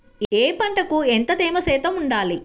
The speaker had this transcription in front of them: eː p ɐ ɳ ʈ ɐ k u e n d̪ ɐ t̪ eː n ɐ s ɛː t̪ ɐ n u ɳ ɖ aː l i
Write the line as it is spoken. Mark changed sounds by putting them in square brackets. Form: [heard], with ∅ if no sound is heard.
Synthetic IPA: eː p ɐ ɳ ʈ ɐ k u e n [t̪] ɐ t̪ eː [m] ɐ s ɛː t̪ ɐ [m] u ɳ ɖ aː l i

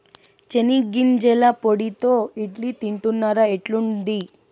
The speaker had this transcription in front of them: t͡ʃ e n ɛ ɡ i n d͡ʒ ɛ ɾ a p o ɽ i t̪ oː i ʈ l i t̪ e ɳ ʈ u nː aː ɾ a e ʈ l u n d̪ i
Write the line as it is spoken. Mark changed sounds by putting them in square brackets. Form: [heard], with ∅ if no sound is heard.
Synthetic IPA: t͡ʃ e n [i] ɡ i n d͡ʒ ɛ [l] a p o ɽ i t̪ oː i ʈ l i t̪ [i] ɳ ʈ u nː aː ɾ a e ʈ l u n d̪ i

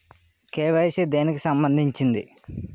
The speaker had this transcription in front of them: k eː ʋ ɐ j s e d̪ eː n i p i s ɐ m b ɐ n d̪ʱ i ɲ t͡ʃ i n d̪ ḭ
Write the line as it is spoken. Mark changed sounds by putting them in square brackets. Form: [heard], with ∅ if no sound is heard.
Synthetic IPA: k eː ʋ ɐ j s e d̪ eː n i [k] i s ɐ m b ɐ n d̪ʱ i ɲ t͡ʃ i n d̪ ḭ

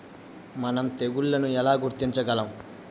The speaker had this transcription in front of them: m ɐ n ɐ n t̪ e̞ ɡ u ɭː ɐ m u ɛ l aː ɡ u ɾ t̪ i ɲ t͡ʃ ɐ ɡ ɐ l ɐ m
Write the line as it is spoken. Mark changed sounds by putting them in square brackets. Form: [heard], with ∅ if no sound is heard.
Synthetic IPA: m ɐ n ɐ [m] t̪ e̞ ɡ u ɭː ɐ [n] u ɛ l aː ɡ u ɾ t̪ i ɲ t͡ʃ ɐ ɡ ɐ l ɐ m

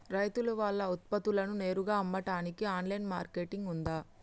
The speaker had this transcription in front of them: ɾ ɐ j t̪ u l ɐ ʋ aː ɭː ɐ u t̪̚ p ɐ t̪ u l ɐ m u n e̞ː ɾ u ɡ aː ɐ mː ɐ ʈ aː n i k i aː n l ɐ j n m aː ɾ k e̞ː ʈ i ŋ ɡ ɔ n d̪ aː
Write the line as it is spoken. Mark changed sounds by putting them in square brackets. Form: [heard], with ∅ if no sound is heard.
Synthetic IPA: ɾ ɐ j t̪ u l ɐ ʋ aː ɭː ɐ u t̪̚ p ɐ t̪ u l ɐ [n] u n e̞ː ɾ u ɡ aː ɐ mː ɐ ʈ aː n i k i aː n l ɐ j n m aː ɾ k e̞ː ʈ i ŋ ɡ [u] n d̪ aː

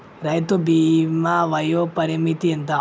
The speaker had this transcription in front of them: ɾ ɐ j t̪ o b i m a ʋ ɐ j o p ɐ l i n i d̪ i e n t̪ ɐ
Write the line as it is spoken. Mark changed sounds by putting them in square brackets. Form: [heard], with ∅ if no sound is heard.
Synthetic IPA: ɾ ɐ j t̪ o b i m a ʋ ɐ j o p ɐ [ɾ] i [m] i [t̪] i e n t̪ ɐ

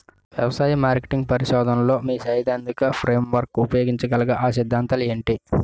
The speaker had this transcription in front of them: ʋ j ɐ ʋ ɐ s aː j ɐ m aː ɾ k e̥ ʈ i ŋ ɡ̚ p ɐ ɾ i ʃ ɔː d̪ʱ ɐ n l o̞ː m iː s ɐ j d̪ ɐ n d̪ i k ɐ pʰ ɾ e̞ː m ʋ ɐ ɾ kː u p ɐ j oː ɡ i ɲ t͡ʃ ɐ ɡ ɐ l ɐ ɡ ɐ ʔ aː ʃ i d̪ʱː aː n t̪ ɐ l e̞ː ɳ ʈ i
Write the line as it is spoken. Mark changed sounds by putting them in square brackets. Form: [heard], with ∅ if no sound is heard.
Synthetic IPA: ʋ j ɐ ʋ ɐ s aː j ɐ m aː ɾ k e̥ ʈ i ŋ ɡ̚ p ɐ ɾ i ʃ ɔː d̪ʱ ɐ n l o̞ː m iː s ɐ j d̪ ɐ n d̪ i k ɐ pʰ ɾ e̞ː m ʋ ɐ ɾ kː u p ɐ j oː ɡ i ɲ t͡ʃ ɐ ɡ ɐ l ɐ ɡ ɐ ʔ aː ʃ i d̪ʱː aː n t̪ ɐ l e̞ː ɳ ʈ i

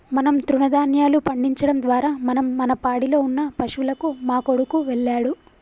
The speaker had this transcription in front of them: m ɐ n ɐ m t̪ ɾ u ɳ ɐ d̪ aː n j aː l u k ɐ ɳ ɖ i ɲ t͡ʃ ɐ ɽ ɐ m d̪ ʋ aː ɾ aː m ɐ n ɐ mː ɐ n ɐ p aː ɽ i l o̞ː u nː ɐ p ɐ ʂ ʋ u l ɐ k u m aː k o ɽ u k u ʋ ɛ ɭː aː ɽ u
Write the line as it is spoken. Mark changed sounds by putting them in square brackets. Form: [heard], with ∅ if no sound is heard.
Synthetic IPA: m ɐ n ɐ m t̪ ɾ u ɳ ɐ d̪ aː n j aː l u [p] ɐ ɳ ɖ i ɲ t͡ʃ ɐ ɽ ɐ m d̪ ʋ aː ɾ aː m ɐ n ɐ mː ɐ n ɐ p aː ɽ i l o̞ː u nː ɐ p ɐ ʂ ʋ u l ɐ k u m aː k o ɽ u k u ʋ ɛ ɭː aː ɽ u

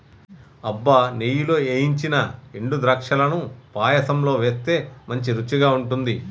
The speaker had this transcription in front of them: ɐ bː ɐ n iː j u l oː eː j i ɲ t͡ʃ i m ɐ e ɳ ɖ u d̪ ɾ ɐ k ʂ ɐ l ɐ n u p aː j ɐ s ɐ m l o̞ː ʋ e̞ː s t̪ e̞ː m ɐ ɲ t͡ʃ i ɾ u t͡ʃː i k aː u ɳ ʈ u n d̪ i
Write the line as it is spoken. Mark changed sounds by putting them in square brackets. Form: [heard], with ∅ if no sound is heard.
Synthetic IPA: ɐ bː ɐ n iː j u l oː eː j i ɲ t͡ʃ i [n] ɐ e ɳ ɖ u d̪ ɾ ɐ k ʂ ɐ l ɐ n u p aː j ɐ s ɐ m l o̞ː ʋ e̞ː s t̪ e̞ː m ɐ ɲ t͡ʃ i ɾ u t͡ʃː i [ɡ] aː u ɳ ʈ u n d̪ i

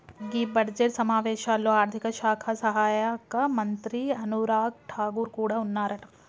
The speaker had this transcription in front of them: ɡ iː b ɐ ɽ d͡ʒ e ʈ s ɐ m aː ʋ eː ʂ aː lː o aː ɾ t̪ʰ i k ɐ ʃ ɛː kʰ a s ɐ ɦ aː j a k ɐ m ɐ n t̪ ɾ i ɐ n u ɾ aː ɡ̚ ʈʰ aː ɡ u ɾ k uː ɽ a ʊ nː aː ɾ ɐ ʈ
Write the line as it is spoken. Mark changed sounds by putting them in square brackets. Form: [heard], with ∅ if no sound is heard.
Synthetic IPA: ɡ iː b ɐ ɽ d͡ʒ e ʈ s ɐ m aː ʋ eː [ʃ] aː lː o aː ɾ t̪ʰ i k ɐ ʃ [aː] kʰ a s ɐ ɦ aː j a k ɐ m ɐ n t̪ ɾ i ɐ n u ɾ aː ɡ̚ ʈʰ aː ɡ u ɾ k uː ɽ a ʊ nː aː ɾ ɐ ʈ

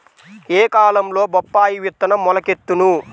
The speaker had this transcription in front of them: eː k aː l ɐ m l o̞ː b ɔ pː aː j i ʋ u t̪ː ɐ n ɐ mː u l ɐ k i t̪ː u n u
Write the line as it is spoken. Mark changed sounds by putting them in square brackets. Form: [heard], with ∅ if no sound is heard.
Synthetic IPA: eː k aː l ɐ m l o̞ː b ɔ pː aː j i ʋ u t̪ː ɐ n ɐ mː [ɔ] l ɐ k [e] t̪ː u n u

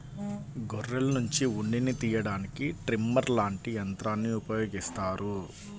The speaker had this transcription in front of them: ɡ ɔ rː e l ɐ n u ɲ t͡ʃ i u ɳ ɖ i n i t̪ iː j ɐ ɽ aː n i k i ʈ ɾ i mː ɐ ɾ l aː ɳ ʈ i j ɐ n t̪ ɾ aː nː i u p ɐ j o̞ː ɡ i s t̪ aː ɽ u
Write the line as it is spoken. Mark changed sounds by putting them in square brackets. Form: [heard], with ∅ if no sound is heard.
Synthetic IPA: ɡ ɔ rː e l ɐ n u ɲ t͡ʃ i u ɳ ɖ i n i t̪ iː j ɐ ɽ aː n i k i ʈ ɾ i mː ɐ ɾ l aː ɳ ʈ i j ɐ n t̪ ɾ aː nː i u p ɐ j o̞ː ɡ i s t̪ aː [ɾ] u

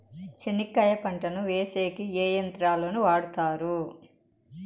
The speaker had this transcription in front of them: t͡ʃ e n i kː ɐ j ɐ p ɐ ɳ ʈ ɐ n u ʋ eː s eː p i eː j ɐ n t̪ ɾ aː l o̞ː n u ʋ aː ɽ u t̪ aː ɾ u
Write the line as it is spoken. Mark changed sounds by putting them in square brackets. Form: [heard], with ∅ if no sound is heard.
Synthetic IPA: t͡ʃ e n i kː ɐ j ɐ p ɐ ɳ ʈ ɐ n u ʋ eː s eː [k] i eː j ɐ n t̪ ɾ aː l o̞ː n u ʋ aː ɽ u t̪ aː ɾ u

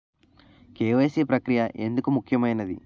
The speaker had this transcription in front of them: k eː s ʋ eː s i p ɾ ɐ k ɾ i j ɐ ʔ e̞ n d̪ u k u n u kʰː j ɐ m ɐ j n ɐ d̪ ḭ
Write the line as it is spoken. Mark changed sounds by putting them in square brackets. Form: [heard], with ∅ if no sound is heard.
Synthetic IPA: k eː [∅] ʋ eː s i p ɾ ɐ k ɾ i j ɐ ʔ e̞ n d̪ u k u [m] u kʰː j ɐ m ɐ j n ɐ d̪ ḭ

